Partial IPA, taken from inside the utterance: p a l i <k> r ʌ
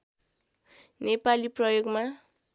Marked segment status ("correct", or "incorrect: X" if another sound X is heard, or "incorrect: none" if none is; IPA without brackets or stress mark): incorrect: p